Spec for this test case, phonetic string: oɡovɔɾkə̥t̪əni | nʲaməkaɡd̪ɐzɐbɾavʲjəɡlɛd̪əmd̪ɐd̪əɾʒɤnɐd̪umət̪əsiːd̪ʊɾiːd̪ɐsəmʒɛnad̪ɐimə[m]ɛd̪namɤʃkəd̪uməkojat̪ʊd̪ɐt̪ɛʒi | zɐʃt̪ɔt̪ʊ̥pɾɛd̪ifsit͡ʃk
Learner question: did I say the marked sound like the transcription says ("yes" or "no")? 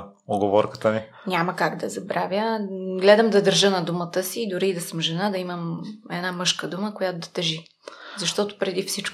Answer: yes